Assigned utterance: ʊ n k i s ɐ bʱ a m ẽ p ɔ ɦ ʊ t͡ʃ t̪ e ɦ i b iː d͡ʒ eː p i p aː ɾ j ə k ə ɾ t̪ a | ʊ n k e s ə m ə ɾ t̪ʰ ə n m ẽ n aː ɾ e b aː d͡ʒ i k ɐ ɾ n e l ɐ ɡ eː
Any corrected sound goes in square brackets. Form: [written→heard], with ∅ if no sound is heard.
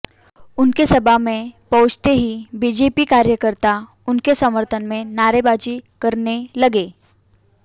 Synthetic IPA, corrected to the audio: ʊ n k [i→e] s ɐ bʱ a m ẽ p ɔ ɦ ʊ t͡ʃ t̪ e ɦ i b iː d͡ʒ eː p i [p→k] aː ɾ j ə k ə ɾ t̪ a | ʊ n k e s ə m ə ɾ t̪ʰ ə n m ẽ n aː ɾ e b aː d͡ʒ i k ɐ ɾ n e l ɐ ɡ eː